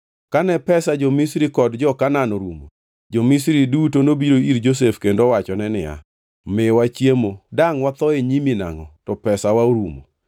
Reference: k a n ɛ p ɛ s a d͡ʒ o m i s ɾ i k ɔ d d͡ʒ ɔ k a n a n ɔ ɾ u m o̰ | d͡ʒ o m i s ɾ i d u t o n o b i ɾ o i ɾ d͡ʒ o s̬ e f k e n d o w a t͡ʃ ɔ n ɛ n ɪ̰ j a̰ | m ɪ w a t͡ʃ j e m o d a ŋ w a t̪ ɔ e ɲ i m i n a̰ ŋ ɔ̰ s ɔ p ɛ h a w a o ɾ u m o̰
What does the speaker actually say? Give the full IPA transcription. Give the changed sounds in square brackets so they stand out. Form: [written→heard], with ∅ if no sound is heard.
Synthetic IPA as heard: k a n ɛ p ɛ s a d͡ʒ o m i s ɾ i k ɔ d d͡ʒ ɔ k a n a n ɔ ɾ u m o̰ | d͡ʒ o m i s ɾ i d u t o n o b i ɾ o i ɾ d͡ʒ o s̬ e f k e n d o w a t͡ʃ ɔ n ɛ n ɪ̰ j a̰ | m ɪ w a t͡ʃ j e m o d a ŋ w a t̪ ɔ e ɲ i m i n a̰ ŋ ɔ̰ [s→t] ɔ p ɛ [h→s] a w a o ɾ u m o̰